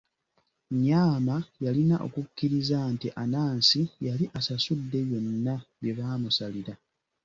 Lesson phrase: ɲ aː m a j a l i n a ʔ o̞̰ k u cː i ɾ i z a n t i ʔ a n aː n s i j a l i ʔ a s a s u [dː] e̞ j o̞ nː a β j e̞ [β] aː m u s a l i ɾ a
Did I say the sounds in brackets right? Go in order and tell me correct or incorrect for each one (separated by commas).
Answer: correct, correct